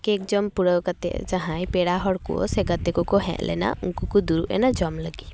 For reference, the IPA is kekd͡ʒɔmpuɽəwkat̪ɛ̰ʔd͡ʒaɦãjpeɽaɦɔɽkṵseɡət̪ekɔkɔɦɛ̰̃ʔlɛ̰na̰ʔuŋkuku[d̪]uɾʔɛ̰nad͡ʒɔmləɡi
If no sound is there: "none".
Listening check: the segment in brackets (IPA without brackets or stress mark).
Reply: d̪